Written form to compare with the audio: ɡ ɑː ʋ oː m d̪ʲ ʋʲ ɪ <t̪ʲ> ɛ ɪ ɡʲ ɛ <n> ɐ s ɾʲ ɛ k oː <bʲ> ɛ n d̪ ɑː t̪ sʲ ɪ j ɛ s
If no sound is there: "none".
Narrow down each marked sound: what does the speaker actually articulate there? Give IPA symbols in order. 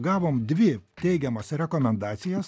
t̪ʲ, m, mʲ

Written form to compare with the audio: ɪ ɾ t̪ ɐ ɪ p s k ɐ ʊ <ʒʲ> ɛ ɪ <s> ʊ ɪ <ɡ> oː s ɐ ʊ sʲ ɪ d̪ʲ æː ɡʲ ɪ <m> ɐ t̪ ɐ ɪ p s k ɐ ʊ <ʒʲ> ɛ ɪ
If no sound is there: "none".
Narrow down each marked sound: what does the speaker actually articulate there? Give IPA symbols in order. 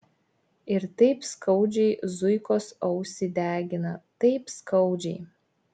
d͡ʒʲ, z, k, n, d͡ʒʲ

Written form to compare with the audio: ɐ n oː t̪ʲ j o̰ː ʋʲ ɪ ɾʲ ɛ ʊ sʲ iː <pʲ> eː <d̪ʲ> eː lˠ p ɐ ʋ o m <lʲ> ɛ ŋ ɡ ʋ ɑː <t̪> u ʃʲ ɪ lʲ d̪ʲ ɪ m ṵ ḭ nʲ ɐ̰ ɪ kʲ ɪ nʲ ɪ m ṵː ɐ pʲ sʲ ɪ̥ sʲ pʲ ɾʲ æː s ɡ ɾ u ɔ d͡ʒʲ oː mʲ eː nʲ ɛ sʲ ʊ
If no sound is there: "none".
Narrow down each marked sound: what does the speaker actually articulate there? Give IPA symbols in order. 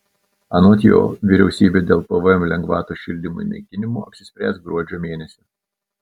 bʲ, d̪ʲ, lʲ, t̪

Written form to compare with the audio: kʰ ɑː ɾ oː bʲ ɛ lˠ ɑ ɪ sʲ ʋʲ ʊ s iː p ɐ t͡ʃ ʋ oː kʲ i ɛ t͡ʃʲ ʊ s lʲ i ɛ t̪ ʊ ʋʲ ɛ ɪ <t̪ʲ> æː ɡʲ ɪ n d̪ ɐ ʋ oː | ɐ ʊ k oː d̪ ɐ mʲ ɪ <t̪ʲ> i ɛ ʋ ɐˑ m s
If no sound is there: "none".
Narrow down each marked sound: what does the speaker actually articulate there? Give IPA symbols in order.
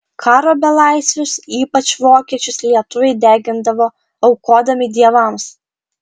d̪ʲ, d̪ʲ

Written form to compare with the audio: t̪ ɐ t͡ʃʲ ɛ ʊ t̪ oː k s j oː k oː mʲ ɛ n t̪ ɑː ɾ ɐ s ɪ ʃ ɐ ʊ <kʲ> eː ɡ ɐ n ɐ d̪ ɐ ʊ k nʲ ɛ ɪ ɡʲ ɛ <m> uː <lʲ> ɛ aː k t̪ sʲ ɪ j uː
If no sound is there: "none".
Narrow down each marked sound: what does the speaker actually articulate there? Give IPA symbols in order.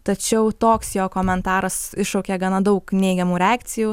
kʲ, m, ɾʲ

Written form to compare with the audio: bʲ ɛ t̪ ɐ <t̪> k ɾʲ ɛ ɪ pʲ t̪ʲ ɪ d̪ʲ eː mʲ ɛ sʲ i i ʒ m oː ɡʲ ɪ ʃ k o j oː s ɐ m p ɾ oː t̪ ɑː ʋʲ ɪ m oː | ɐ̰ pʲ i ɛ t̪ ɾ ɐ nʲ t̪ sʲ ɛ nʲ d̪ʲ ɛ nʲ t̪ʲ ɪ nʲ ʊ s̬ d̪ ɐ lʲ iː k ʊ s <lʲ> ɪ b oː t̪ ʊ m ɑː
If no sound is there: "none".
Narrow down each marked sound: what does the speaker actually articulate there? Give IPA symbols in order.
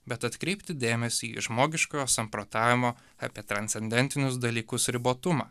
t̪, ɾʲ

